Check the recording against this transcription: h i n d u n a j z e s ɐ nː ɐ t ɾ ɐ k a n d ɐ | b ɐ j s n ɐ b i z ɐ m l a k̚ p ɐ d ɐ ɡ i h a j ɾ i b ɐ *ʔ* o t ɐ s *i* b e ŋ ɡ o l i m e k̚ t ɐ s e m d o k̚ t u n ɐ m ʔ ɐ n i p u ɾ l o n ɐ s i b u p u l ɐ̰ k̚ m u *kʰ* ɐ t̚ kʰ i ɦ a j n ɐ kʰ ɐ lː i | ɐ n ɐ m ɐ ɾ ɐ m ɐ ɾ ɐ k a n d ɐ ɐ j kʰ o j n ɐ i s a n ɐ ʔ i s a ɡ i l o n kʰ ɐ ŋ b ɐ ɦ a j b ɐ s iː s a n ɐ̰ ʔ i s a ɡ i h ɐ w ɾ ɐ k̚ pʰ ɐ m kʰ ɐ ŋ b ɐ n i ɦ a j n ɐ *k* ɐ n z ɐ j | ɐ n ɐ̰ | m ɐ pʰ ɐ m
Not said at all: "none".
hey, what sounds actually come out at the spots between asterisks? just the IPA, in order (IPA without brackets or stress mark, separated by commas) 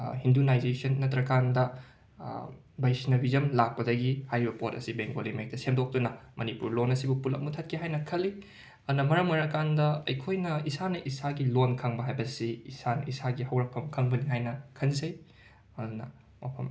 p, i, tʰ, kʰ